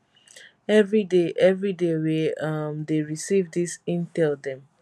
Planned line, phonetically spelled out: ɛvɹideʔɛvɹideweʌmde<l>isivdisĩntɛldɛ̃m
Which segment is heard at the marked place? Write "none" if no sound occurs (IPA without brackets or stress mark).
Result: ɹ